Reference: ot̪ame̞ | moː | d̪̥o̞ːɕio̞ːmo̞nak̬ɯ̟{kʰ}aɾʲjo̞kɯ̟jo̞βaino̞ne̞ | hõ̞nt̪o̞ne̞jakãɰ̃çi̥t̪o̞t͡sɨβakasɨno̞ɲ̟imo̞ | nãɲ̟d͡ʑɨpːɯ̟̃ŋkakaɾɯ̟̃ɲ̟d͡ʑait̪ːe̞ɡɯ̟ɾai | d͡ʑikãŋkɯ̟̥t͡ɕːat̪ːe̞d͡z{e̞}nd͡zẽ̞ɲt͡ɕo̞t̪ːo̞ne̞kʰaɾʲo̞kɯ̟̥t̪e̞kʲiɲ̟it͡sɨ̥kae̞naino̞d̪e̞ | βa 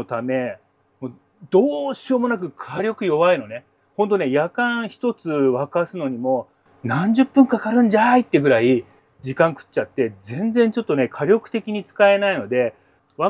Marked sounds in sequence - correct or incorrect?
correct, incorrect: ẽ̞

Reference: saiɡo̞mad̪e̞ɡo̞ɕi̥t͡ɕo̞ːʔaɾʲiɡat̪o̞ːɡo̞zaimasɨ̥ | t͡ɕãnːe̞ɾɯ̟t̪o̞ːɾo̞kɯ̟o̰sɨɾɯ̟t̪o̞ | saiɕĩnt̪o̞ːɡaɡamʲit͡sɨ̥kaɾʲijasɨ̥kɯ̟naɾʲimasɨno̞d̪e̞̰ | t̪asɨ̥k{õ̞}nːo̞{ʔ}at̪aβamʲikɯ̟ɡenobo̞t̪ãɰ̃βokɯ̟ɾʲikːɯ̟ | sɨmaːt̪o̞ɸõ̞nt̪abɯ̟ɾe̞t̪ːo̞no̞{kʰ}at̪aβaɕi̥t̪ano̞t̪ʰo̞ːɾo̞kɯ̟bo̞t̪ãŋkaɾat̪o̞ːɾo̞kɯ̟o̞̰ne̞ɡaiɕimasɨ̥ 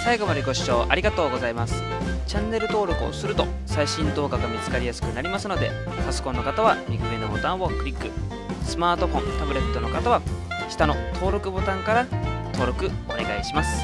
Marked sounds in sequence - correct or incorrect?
correct, incorrect: k, incorrect: k

